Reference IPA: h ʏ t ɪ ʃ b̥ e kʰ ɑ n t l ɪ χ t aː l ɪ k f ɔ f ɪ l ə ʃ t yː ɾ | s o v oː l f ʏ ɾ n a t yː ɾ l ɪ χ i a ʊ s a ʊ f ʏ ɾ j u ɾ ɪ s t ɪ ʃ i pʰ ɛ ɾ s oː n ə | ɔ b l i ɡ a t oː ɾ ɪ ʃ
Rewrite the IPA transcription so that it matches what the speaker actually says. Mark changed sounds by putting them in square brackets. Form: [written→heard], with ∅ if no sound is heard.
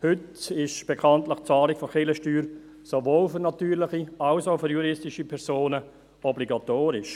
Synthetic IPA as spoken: h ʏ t ɪ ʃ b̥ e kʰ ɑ n t l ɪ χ [t→t͡s] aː l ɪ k f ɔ [f→χ] ɪ l ə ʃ t yː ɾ | s o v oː l f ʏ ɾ n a t yː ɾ l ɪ χ i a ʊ s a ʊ f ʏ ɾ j u ɾ ɪ s t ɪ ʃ i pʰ ɛ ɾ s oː n ə | ɔ b l i ɡ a t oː ɾ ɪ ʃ

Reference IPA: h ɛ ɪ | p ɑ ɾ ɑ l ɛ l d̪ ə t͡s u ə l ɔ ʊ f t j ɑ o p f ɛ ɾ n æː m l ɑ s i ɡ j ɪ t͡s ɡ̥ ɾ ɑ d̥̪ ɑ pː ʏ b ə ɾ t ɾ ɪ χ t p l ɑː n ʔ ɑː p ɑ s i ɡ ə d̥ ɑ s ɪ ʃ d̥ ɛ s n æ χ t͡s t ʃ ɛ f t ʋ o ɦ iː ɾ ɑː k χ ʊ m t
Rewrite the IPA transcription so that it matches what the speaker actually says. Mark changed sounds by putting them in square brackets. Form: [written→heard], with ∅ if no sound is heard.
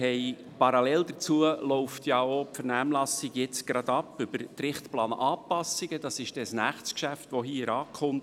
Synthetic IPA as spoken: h ɛ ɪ | p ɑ ɾ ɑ l ɛ l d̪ ə t͡s u ə l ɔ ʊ f t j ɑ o p f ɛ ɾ n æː m l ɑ s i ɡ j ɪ t͡s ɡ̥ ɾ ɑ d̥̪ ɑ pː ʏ b ə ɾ t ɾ ɪ χ t p l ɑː n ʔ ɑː p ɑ s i ɡ ə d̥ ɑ s ɪ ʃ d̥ ɛ s n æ χ t͡s [t→k] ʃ [ɛ→æ] f t ʋ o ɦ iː ɾ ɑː k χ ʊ m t

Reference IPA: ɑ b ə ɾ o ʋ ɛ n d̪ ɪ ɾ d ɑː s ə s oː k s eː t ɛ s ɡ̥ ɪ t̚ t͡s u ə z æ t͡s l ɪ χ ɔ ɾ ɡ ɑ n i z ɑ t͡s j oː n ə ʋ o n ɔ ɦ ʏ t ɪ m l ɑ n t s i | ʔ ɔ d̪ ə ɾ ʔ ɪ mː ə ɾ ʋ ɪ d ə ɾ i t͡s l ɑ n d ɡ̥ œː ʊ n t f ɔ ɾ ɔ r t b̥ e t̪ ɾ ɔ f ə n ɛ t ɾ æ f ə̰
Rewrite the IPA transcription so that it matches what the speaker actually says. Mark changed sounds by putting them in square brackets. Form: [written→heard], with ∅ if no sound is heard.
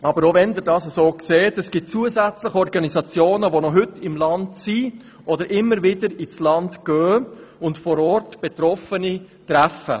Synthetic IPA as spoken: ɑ b ə ɾ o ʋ ɛ n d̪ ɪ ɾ d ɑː s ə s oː k s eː t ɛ s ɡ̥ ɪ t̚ t͡s u ə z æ t͡s l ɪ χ ɔ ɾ ɡ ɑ n i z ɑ t͡s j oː n ə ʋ o n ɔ ɦ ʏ t ɪ m l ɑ n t s i | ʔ ɔ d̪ ə ɾ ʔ ɪ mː ə ɾ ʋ ɪ d ə ɾ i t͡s l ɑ n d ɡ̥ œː ʊ n t f ɔ ɾ ɔ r t b̥ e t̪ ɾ ɔ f ə n [ɛ→i] t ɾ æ f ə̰

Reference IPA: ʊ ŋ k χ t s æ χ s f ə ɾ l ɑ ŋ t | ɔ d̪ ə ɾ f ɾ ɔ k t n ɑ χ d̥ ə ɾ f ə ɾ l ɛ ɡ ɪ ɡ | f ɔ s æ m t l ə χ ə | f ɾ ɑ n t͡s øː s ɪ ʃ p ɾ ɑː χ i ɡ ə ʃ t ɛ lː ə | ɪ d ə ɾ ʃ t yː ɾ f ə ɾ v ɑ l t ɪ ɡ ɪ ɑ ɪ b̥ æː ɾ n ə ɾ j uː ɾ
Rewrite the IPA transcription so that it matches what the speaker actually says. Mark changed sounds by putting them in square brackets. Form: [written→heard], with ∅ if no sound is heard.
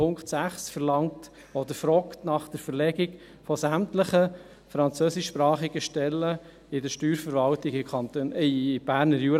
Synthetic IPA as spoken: ʊ ŋ k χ t s æ χ s f ə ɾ l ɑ ŋ t | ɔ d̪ ə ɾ f ɾ ɔ k t n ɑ χ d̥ ə ɾ f ə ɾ l ɛ ɡ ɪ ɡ | f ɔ s æ m t l ə χ ə | f ɾ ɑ n t͡s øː s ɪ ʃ p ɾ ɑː χ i ɡ ə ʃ t ɛ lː ə | ɪ d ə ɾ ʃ t yː ɾ f ə ɾ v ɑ l t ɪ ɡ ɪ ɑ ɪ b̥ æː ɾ n ə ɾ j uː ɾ

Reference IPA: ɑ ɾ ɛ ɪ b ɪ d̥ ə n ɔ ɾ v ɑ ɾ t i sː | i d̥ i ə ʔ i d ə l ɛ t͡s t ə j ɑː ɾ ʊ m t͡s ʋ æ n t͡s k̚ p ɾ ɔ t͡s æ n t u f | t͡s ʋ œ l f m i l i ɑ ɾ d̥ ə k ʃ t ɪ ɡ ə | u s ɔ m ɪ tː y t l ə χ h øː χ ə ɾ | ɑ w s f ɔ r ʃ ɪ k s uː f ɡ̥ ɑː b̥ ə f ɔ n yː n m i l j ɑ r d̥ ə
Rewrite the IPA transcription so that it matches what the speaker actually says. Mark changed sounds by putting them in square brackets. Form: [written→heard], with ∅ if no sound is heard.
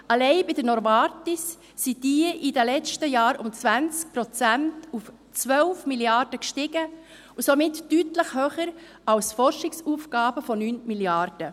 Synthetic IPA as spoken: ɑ [ɾ→l] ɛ ɪ b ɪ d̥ ə n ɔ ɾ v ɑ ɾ t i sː | i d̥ i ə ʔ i d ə l ɛ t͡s t ə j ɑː ɾ ʊ m t͡s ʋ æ n t͡s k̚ p ɾ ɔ t͡s æ n t u f | t͡s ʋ œ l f m i l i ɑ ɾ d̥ ə k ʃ t ɪ ɡ ə | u s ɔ m ɪ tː y t l ə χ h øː χ ə ɾ | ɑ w s f ɔ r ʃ ɪ k s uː f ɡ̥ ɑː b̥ ə f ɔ n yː n m i l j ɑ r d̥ ə

